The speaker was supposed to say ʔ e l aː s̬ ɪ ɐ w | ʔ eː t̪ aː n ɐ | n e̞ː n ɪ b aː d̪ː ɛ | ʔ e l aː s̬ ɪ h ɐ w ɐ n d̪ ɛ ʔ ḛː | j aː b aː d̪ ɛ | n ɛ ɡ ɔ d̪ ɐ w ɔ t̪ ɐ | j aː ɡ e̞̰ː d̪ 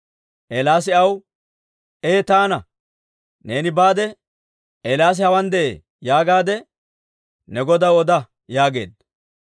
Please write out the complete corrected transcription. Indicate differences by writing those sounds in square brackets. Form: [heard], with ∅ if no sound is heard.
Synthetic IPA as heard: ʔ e l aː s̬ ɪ ɐ w | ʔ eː t̪ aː n ɐ | n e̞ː n ɪ b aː [d̪] ɛ | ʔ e l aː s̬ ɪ h ɐ w ɐ n d̪ ɛ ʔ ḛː | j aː [ɡ] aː d̪ ɛ | n ɛ ɡ ɔ d̪ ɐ w ɔ [d̪] ɐ | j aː ɡ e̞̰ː d̪